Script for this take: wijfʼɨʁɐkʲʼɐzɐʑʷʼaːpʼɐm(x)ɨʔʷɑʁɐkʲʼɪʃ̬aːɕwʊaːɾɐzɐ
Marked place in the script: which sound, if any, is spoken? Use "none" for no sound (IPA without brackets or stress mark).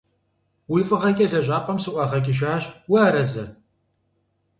s